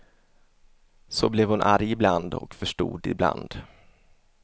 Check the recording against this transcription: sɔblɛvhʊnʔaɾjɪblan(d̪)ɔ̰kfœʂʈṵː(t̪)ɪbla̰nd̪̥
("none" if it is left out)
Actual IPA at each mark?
d̪, d̪

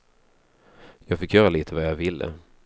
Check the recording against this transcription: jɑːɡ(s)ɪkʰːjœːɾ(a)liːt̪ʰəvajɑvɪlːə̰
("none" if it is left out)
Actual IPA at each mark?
f, a

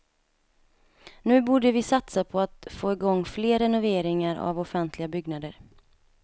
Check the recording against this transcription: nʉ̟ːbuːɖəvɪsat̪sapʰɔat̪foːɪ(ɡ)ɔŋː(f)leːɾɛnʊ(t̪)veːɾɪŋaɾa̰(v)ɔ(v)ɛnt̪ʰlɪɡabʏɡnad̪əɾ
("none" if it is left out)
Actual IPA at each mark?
ɡ, f, none, v, f

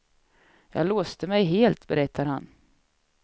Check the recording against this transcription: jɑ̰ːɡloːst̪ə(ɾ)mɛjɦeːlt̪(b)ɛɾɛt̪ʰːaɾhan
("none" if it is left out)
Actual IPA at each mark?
none, b

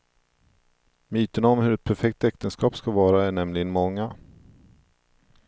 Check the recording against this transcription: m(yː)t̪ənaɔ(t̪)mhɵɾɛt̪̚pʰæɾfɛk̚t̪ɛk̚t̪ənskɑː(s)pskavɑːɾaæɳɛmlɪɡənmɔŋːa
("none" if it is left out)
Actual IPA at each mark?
yː, none, none

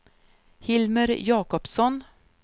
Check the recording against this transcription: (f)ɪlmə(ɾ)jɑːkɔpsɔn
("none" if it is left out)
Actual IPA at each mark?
h, ɾ

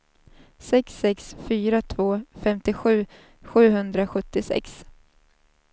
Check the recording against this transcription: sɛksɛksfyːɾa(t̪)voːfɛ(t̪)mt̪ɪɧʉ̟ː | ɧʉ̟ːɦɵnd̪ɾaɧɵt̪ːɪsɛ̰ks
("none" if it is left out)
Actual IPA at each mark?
t̪ʰ, none

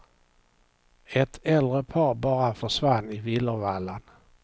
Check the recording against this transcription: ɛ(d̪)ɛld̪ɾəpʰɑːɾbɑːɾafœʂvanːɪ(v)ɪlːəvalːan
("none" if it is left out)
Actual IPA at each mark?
t̪, v

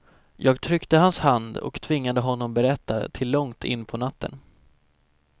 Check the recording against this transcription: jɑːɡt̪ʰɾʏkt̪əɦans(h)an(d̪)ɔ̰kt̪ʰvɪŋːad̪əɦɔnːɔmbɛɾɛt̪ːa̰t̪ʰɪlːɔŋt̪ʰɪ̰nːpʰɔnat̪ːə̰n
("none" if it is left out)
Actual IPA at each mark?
h, d̪

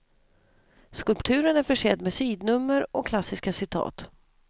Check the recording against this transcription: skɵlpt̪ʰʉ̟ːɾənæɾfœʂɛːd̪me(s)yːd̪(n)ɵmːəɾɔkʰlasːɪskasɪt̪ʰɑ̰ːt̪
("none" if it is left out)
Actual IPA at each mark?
s, n

